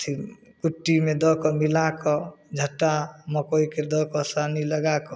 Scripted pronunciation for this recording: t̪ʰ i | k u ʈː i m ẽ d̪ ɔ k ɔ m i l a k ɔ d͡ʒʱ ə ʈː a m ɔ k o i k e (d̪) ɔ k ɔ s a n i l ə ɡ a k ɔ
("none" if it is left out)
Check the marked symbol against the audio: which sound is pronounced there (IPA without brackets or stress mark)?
d̪